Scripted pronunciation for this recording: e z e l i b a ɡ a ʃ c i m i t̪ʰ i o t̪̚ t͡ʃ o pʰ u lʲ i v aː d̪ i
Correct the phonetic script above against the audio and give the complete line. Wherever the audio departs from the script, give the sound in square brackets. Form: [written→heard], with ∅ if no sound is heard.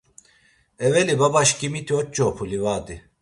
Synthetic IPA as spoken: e [z→v] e l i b a [ɡ→b] a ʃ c i m i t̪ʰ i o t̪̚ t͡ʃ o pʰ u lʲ i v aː d̪ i